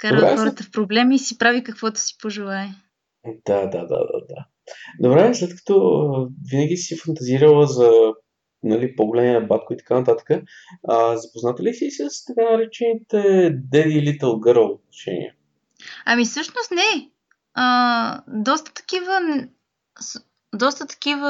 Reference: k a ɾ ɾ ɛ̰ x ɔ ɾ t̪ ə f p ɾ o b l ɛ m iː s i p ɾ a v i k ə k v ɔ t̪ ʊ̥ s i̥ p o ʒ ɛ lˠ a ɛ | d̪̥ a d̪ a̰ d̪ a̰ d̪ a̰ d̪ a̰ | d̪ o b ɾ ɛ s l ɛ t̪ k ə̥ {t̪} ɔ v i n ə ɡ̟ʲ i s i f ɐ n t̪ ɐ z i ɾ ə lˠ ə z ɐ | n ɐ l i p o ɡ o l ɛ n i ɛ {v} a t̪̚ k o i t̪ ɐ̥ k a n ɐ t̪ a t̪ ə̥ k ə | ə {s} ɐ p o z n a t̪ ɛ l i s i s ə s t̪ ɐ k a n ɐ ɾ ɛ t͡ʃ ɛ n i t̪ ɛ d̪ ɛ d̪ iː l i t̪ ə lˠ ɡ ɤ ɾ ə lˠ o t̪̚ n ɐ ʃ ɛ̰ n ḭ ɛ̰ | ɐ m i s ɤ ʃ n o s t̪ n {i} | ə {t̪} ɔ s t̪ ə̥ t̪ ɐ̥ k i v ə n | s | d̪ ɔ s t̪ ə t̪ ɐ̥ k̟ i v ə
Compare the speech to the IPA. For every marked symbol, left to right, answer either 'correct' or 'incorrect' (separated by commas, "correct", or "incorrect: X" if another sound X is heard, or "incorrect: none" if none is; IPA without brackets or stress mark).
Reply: correct, incorrect: b, incorrect: z, incorrect: ɛ, incorrect: d̪